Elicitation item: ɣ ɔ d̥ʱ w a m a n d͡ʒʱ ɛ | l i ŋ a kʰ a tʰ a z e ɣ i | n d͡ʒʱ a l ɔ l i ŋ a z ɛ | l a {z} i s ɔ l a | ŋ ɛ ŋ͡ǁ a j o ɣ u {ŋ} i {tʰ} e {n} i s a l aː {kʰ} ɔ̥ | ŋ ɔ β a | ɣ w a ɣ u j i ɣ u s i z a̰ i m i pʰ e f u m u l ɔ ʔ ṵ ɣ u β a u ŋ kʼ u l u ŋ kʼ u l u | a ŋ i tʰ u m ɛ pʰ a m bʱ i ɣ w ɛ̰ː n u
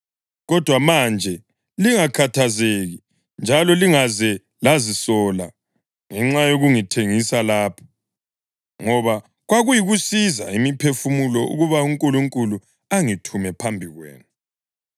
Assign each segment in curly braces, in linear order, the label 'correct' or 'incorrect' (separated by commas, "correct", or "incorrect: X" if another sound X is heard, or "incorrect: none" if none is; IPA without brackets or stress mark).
correct, correct, correct, incorrect: ŋ, incorrect: pʰ